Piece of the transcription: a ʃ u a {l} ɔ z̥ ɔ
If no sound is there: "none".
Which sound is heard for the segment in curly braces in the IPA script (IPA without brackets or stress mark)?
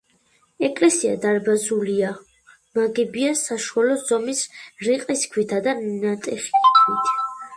l